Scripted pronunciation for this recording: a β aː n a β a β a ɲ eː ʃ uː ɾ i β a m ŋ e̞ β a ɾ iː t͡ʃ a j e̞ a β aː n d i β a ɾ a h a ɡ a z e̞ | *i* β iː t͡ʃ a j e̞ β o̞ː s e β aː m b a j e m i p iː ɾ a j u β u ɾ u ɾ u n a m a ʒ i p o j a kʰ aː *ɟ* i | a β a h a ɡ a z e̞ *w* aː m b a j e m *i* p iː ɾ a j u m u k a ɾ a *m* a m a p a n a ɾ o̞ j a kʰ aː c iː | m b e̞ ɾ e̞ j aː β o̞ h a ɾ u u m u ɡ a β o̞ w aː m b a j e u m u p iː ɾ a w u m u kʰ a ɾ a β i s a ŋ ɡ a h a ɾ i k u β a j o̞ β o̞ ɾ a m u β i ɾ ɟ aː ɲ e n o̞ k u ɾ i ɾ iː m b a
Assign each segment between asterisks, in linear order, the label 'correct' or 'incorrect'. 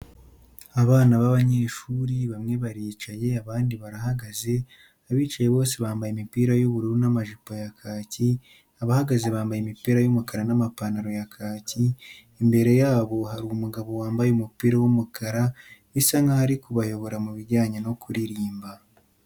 incorrect, incorrect, incorrect, correct, incorrect

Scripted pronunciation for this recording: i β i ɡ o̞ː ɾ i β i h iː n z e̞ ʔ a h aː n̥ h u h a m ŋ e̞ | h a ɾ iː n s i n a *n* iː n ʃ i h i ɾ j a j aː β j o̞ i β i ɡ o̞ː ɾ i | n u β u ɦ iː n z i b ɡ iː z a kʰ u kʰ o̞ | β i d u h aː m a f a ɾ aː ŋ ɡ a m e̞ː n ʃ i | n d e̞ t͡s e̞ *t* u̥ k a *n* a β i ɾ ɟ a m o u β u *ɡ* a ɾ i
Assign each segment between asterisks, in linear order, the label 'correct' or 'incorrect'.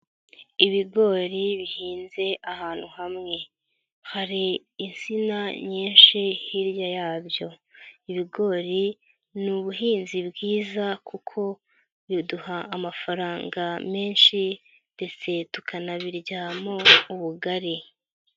incorrect, correct, correct, correct

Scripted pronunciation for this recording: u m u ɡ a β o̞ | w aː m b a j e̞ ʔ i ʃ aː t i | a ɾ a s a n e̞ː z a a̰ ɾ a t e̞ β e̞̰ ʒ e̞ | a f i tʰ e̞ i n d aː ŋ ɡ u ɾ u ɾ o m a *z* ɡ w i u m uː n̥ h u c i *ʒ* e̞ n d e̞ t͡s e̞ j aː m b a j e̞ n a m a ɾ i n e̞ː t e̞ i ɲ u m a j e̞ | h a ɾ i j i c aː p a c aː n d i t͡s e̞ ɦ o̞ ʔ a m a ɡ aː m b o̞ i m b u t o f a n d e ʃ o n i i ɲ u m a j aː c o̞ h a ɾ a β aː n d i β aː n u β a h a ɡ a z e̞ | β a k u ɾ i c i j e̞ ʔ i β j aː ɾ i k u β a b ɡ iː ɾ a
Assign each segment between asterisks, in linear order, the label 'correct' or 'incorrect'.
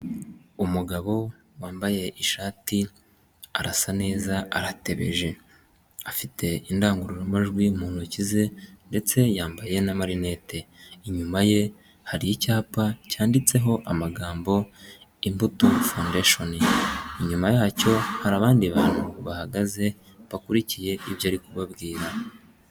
incorrect, incorrect

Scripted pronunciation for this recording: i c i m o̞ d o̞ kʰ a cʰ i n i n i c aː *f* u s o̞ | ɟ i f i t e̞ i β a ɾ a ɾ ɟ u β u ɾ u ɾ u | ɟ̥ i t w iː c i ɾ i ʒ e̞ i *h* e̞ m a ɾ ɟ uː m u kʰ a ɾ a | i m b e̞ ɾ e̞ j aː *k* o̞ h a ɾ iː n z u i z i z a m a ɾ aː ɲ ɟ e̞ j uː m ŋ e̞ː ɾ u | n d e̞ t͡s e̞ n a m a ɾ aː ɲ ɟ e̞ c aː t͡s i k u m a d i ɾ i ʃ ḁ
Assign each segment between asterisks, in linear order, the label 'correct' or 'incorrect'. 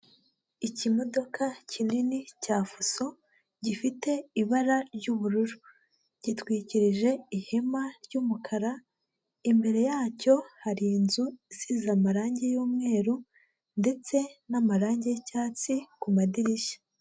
correct, correct, incorrect

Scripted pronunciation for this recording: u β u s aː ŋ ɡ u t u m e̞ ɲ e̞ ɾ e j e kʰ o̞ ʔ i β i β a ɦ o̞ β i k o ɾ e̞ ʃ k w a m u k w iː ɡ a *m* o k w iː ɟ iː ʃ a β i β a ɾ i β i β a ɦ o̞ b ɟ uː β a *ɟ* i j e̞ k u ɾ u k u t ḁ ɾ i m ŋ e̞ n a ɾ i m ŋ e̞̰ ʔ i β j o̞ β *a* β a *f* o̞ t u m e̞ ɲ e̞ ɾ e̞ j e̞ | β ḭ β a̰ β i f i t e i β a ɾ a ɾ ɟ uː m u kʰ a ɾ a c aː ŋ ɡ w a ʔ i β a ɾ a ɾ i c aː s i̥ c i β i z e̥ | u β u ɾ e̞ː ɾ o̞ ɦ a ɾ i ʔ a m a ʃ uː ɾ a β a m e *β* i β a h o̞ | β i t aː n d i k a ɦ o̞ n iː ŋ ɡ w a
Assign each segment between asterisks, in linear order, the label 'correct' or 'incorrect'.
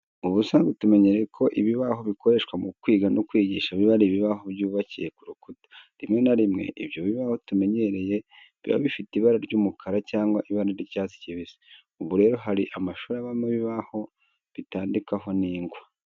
incorrect, incorrect, incorrect, incorrect, correct

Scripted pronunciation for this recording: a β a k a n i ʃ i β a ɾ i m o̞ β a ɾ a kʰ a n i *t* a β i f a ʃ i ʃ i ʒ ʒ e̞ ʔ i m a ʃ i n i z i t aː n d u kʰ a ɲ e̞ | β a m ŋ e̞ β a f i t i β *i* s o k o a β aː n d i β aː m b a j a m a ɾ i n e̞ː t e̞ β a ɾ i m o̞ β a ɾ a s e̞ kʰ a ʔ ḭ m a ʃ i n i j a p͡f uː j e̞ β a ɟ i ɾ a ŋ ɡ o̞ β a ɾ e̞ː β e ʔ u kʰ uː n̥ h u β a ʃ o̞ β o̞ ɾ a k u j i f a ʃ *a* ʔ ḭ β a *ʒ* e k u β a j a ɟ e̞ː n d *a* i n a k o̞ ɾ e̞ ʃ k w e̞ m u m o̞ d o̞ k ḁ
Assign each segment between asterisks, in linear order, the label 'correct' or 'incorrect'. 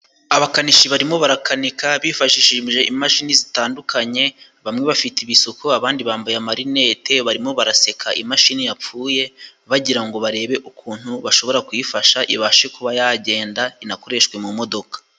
incorrect, correct, correct, incorrect, correct

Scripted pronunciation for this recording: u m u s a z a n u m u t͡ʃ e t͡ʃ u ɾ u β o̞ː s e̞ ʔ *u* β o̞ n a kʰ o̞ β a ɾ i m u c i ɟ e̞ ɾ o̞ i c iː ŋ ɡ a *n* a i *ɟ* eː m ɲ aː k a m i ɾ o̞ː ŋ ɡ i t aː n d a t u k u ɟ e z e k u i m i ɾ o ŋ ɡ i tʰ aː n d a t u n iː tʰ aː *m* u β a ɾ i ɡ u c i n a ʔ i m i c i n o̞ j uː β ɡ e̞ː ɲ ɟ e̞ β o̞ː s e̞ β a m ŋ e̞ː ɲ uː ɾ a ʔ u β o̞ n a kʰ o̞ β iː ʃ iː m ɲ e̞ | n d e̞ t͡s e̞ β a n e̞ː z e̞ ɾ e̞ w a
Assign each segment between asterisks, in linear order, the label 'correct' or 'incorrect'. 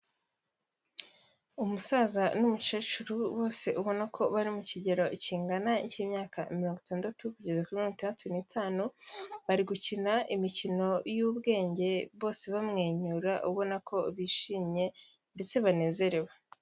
correct, correct, incorrect, incorrect

